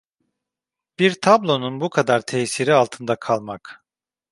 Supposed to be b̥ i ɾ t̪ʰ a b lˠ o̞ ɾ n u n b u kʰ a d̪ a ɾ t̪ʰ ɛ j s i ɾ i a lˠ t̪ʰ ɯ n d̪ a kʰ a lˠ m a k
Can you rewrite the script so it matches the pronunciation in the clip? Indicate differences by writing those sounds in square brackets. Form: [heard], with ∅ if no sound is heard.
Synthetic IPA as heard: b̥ i ɾ t̪ʰ a b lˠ o̞ [∅] n u n b u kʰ a d̪ a ɾ t̪ʰ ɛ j s i ɾ i a lˠ t̪ʰ ɯ n d̪ a kʰ a lˠ m a k

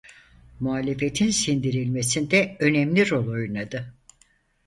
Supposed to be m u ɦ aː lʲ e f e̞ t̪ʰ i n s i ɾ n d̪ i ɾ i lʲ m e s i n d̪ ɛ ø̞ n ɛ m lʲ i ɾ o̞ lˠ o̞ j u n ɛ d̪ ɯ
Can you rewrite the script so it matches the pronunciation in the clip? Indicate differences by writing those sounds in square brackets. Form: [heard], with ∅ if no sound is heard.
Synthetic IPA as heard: m u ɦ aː lʲ e f e̞ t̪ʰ i n s i [∅] n d̪ i ɾ i lʲ m e s i n d̪ ɛ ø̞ n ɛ m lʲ i ɾ o̞ lˠ o̞ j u n [a] d̪ ɯ

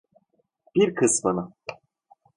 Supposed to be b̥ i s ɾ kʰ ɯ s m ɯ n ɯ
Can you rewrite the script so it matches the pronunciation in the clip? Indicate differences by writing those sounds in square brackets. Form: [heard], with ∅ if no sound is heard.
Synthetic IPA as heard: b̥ i [∅] ɾ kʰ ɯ s m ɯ n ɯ

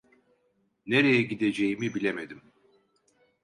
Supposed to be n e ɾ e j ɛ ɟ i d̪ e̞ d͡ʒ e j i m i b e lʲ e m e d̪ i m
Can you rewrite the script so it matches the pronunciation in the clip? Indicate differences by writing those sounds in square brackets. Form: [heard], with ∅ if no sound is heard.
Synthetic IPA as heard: n e ɾ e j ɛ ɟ i d̪ e̞ d͡ʒ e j i m i b [i] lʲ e m e d̪ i m

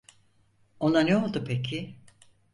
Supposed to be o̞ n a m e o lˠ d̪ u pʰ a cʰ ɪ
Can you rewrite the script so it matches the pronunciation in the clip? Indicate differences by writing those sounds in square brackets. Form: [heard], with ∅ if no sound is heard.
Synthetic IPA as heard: o̞ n a [n] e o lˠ d̪ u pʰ [e] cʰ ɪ

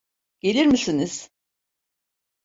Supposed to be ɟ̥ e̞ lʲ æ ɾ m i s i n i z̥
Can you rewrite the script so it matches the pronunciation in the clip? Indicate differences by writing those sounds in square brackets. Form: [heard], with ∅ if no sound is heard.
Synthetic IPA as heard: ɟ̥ e̞ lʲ [i] ɾ m i s i n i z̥

